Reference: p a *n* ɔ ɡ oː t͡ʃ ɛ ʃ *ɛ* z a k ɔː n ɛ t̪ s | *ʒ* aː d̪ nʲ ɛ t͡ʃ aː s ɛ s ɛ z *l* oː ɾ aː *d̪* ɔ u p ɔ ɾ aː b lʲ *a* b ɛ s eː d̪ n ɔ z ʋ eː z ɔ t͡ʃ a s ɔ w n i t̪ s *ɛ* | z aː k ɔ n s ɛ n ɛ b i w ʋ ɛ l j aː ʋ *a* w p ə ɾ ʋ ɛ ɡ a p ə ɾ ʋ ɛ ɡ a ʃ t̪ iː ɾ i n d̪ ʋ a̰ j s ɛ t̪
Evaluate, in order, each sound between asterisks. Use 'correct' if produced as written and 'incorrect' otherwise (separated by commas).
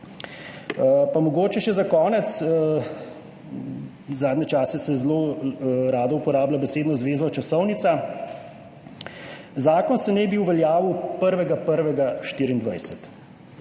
incorrect, correct, incorrect, correct, correct, correct, incorrect, incorrect